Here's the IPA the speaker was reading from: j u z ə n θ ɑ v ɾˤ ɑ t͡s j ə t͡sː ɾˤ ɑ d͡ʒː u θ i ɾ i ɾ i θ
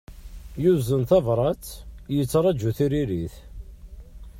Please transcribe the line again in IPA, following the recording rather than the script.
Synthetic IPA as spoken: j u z ə n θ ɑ v ɾˤ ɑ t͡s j ə t͡sː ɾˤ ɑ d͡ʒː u θ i ɾ i ɾ i θ